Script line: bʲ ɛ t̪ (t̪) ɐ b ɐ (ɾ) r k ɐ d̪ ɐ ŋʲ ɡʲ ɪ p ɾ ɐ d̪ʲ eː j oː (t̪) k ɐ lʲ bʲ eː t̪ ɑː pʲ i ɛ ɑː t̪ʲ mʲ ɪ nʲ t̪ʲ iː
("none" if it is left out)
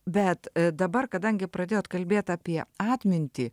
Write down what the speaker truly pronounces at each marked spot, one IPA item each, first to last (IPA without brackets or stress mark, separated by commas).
d̪, none, t̪